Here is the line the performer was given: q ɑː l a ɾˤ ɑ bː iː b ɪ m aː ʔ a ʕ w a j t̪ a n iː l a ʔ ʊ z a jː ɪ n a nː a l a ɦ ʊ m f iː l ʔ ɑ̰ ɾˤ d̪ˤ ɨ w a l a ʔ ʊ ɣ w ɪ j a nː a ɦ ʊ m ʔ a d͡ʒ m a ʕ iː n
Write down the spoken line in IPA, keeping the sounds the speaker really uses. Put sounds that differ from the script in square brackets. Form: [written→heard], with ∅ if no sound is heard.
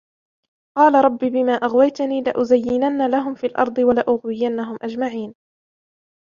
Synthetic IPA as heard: q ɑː l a ɾˤ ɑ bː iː b ɪ m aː ʔ a [ʕ→ɣ] w a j t̪ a n iː l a ʔ ʊ z a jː ɪ n a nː a l a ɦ ʊ m f iː l ʔ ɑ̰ ɾˤ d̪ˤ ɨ w a l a ʔ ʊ ɣ w ɪ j a nː a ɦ ʊ m ʔ a d͡ʒ m a ʕ iː n